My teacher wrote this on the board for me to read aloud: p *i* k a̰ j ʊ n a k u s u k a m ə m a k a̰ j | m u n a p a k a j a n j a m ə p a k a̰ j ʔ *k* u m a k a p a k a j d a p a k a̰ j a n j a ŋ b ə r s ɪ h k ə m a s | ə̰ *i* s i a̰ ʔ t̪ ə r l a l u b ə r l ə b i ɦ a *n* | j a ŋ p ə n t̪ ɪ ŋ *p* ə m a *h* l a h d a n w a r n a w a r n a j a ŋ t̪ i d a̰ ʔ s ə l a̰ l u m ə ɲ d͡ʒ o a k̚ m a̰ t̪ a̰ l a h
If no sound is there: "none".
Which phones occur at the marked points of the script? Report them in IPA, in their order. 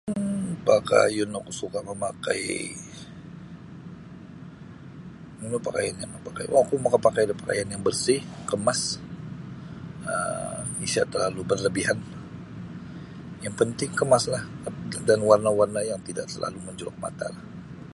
a, k, i, n, k, s

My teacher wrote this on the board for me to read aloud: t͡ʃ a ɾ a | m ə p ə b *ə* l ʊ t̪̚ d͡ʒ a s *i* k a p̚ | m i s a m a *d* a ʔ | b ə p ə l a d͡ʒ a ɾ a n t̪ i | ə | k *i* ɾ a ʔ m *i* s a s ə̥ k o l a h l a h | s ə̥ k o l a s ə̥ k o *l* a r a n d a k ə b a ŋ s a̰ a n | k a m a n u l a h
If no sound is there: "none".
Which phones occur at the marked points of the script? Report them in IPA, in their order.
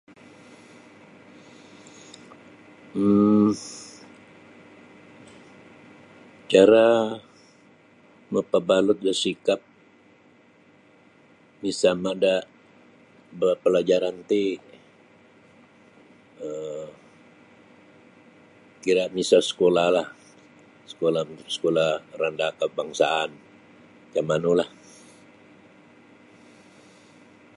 a, i, d, i, i, l

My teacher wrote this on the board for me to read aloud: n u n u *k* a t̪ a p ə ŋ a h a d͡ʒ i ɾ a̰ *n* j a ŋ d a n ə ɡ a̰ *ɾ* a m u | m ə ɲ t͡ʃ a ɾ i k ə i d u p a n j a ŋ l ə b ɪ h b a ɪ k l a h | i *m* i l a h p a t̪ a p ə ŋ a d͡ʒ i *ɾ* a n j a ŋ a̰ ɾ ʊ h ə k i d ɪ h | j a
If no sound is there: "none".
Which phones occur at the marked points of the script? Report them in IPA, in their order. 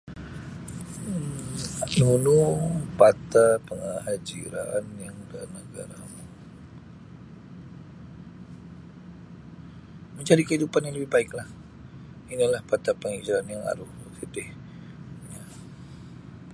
p, n, ɾ, n, ɾ

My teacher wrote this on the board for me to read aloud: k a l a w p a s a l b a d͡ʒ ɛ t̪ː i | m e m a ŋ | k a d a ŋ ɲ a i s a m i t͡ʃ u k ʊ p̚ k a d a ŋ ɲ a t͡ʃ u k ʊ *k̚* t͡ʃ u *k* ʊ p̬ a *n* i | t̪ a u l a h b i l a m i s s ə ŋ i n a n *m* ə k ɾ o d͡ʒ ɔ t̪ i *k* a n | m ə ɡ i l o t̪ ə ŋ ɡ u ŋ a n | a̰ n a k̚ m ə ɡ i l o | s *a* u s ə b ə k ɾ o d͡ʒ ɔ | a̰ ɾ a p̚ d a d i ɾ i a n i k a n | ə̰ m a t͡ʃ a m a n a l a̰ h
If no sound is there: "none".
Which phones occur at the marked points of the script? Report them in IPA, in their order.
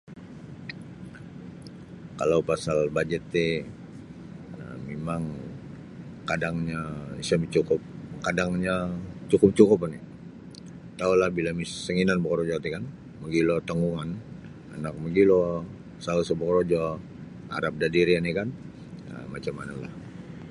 p̚, k, n, b, k, a

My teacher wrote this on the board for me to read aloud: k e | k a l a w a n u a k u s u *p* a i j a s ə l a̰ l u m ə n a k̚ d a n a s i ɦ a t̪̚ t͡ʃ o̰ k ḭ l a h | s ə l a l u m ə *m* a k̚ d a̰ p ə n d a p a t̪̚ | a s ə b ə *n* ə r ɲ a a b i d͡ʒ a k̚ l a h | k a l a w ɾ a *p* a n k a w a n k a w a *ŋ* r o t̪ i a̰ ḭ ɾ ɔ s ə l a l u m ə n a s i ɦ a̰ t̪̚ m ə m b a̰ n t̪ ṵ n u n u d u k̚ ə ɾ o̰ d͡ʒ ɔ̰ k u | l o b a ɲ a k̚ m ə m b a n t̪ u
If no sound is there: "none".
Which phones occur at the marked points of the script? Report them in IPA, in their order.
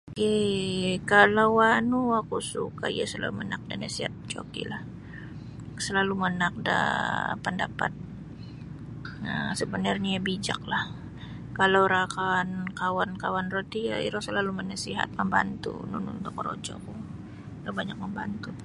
k, n, n, k, n

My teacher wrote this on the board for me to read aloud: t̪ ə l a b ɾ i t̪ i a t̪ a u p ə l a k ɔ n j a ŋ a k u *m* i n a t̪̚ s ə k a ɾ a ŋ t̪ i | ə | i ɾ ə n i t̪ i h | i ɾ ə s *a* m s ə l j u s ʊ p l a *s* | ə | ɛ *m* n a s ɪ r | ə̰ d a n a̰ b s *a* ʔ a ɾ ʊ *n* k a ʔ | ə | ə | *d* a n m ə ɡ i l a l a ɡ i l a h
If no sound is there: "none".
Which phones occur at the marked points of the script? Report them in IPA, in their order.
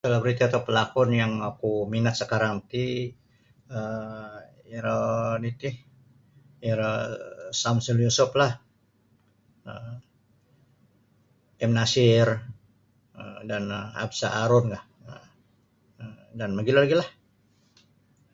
m, a, h, m, a, n, d

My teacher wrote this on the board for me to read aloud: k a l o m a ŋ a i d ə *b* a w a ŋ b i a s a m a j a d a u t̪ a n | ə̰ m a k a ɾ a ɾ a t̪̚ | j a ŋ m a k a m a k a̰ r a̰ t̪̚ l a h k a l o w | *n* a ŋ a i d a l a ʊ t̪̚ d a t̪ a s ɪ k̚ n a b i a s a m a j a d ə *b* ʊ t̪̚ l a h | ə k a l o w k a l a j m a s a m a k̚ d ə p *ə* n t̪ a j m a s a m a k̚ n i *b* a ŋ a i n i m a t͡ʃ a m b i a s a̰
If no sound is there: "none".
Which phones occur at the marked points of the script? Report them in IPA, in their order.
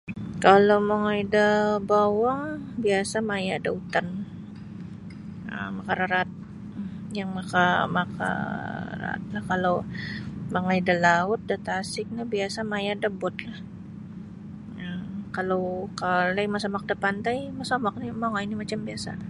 b, m, b, a, m

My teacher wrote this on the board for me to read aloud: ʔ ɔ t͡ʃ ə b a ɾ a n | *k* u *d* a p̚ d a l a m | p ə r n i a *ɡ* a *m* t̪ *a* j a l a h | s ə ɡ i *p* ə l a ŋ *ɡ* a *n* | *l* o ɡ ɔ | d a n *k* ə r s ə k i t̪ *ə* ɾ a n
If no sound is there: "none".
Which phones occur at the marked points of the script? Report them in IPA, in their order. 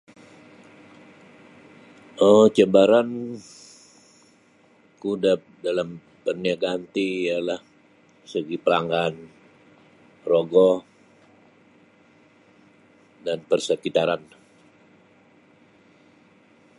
k, d, ɡ, n, i, p, ɡ, n, r, p, a

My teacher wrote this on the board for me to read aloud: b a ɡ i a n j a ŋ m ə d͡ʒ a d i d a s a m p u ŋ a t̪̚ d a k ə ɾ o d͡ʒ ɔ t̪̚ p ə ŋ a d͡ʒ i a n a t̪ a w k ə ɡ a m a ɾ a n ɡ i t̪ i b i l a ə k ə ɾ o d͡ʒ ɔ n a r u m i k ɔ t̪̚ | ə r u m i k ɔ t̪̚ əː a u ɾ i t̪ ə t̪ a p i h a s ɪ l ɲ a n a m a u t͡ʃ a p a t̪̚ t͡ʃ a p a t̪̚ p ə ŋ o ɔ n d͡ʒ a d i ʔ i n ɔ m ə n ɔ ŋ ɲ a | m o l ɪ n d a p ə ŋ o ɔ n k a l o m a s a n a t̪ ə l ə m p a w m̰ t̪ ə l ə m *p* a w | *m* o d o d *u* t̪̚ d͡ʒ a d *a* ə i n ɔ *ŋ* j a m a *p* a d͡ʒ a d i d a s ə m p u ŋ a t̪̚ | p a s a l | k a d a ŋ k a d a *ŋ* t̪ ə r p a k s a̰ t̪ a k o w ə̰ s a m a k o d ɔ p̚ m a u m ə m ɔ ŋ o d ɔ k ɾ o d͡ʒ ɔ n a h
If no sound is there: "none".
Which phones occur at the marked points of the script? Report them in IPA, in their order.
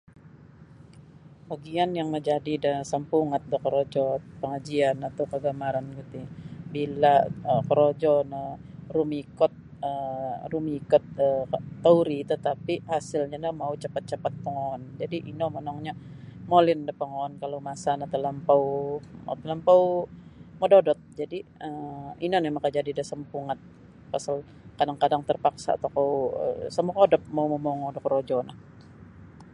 p, m, ɔ, i, n, k, ŋ

